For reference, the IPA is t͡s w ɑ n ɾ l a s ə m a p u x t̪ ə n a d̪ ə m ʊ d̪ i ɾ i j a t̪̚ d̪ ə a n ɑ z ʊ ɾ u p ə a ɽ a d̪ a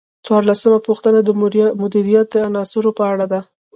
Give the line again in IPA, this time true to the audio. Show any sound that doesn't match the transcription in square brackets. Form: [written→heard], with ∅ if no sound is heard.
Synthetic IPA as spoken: t͡s w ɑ [n→∅] ɾ l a s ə m a p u x t̪ ə n a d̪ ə m ʊ d̪ i ɾ i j a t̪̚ d̪ ə a n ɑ [z→s] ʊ ɾ [u→o] p ə a ɽ a d̪ a